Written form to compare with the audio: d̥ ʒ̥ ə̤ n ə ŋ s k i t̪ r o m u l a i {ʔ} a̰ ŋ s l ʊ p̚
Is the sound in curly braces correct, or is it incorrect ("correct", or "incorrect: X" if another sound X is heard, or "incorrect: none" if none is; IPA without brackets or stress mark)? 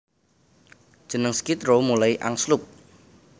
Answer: correct